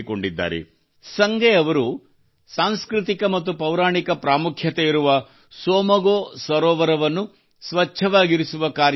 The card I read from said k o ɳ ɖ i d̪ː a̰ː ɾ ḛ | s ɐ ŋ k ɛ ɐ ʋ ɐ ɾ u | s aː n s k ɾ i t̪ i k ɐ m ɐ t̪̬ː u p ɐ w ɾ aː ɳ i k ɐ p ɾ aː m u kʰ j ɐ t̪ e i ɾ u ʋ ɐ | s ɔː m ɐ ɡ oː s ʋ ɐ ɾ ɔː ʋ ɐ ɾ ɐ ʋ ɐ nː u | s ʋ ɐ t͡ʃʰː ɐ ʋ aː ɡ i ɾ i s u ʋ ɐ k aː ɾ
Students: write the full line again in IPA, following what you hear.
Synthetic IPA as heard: k o ɳ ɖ i d̪ː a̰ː ɾ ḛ | s ɐ ŋ ɡ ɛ ɐ ʋ ɐ ɾ u | s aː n s k ɾ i t̪ i k ɐ m ɐ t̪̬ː u p ɐ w ɾ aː ɳ i k ɐ p ɾ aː m u kʰ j ɐ t̪ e i ɾ u ʋ ɐ | s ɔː m ɐ ɡ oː s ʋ ɐ ɾ ɔː ʋ ɐ ɾ ɐ ʋ ɐ nː u | s ʋ ɐ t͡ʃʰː ɐ ʋ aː ɡ i ɾ i s u ʋ ɐ k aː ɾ

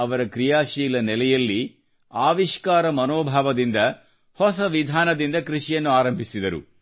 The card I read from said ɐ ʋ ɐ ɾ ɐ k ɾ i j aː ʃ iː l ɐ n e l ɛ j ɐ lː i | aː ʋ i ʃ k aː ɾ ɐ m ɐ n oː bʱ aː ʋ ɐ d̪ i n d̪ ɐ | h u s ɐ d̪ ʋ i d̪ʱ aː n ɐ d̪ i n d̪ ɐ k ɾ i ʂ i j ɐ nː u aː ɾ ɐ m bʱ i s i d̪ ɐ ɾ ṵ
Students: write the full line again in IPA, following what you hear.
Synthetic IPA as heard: ɐ ʋ ɐ ɾ ɐ k ɾ i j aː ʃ iː l ɐ n ɛ l ɛ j ɐ lː i | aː ʋ i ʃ k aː ɾ ɐ m ɐ n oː bʱ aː ʋ ɐ d̪ i n d̪ ɐ | h ɔ s ɐ ʋ i d̪ʱ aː n ɐ d̪ i n d̪ ɐ k ɾ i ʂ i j ɐ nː u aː ɾ ɐ m bʱ i s i d̪ ɐ ɾ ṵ

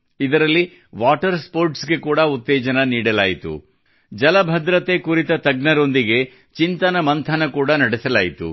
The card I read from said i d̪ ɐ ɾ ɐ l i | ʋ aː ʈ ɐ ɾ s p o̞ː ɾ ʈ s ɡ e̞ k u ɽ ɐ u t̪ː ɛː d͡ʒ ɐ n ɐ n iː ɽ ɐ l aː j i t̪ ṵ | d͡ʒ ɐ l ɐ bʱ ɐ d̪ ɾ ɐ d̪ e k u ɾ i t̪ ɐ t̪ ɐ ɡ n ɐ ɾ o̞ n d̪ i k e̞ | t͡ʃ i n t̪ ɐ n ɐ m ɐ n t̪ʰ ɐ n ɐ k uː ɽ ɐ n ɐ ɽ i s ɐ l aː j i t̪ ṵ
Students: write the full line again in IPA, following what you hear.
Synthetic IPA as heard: i d̪ ɐ ɾ ɐ lː i | ʋ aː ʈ ɐ ɾ s p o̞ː ɾ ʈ s ɡ e̞ k uː ɽ ɐ u t̪ː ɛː d͡ʒ ɐ n ɐ n iː ɽ ɐ l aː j i t̪ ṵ | d͡ʒ ɐ l ɐ bʱ ɐ d̪ ɾ ɐ t̪ e k u ɾ i t̪ ɐ t̪ ɐ ɡ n ɐ ɾ o̞ n d̪ i ɡ e̞ | t͡ʃ i n t̪ ɐ n ɐ m ɐ n t̪ʰ ɐ n ɐ k uː ɽ ɐ n ɐ ɽ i s ɐ l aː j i t̪ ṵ

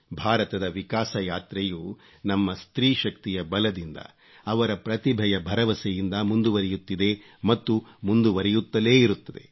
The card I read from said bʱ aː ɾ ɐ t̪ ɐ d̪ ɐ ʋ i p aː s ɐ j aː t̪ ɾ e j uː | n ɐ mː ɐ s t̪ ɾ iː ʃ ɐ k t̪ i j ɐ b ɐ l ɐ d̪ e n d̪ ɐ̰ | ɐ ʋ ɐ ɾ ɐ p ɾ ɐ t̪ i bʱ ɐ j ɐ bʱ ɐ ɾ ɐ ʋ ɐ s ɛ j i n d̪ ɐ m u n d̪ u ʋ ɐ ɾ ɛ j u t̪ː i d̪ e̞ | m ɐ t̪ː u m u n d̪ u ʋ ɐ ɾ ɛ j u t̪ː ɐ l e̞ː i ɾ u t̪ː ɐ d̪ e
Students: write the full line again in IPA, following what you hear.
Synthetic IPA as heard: bʱ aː ɾ ɐ t̪ ɐ d̪ ɐ ʋ i k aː s ɐ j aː t̪ ɾ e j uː | n ɐ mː ɐ s t̪ ɾ iː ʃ ɐ k t̪ i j ɐ b ɐ l ɐ d̪ i n d̪ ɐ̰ | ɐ ʋ ɐ ɾ ɐ p ɾ ɐ t̪ i bʱ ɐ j ɐ bʱ ɐ ɾ ɐ ʋ ɐ s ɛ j i n d̪ ɐ m u n d̪ u ʋ ɐ ɾ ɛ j u t̪ː i d̪ e̞ | m ɐ t̪ː u m u n d̪ u ʋ ɐ ɾ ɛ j u t̪ː ɐ l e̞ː i ɾ u t̪ː ɐ d̪ e

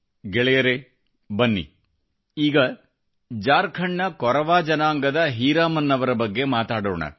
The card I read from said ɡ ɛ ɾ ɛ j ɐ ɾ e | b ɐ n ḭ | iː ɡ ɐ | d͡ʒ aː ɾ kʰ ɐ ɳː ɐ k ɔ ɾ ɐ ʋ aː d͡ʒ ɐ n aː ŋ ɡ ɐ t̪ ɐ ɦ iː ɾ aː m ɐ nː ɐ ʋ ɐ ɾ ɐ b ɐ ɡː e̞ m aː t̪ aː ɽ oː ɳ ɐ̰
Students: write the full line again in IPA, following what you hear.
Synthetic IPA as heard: ɡ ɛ ɭ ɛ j ɐ ɾ e | b ɐ nː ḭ | iː ɡ ɐ | d͡ʒ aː ɾ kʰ ɐ ɳː ɐ k ɔ ɾ ɐ ʋ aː d͡ʒ ɐ n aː ŋ ɡ ɐ d̪ ɐ ɦ iː ɾ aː m ɐ nː ɐ ʋ ɐ ɾ ɐ b ɐ ɡː e̞ m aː t̪ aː ɽ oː ɳ ɐ̰

